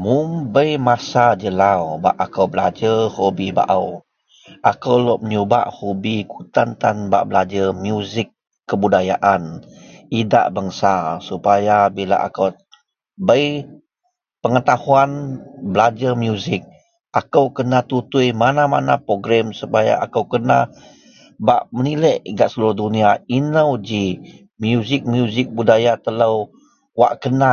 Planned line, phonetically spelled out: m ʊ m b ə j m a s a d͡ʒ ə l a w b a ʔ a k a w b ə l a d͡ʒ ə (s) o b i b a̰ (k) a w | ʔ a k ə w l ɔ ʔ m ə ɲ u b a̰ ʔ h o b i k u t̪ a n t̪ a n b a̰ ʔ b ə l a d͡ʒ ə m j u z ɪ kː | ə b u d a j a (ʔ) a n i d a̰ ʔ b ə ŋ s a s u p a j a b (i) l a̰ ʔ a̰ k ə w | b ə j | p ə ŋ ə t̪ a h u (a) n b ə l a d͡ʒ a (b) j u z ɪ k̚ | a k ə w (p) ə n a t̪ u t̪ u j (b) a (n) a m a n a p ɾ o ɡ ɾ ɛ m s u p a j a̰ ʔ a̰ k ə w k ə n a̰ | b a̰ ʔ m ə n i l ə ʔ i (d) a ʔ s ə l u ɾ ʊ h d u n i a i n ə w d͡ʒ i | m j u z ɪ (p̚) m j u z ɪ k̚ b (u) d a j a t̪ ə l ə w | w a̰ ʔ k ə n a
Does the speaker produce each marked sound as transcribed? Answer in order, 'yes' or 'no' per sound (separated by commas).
no, no, yes, yes, yes, no, no, no, yes, no, no, yes